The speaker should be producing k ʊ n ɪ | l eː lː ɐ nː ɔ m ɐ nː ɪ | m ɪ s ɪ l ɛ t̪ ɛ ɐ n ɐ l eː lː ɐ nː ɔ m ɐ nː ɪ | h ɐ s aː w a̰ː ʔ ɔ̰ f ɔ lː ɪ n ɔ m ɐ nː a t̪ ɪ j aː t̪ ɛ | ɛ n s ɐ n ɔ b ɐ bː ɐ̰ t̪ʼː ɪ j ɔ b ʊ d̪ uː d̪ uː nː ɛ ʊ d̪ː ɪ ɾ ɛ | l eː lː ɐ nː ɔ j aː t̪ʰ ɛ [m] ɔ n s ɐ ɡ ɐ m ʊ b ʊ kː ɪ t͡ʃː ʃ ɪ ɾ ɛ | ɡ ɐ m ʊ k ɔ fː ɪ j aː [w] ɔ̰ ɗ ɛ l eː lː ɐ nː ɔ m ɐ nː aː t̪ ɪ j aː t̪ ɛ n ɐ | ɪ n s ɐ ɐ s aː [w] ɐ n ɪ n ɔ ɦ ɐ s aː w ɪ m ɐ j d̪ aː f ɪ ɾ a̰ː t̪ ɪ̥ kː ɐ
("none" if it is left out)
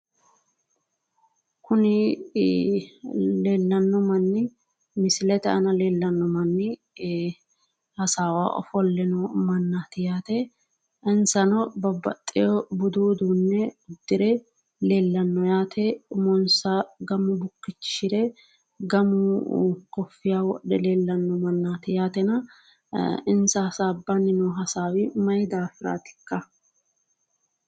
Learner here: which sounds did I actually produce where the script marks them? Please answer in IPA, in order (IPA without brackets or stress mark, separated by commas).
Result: m, w, b